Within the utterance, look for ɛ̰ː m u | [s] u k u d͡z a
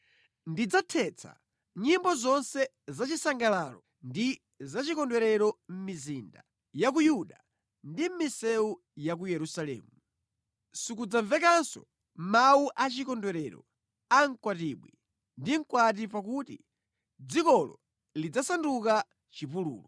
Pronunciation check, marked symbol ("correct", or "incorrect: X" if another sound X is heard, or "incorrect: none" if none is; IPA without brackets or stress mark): correct